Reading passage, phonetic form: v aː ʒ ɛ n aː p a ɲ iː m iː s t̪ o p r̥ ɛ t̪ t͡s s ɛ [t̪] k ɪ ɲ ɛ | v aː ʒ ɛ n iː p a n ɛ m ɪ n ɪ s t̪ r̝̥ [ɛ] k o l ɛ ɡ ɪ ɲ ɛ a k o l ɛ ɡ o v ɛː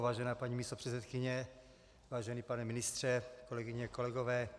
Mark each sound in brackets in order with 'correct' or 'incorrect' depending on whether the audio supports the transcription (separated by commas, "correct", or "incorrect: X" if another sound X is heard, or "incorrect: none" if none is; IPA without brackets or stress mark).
correct, correct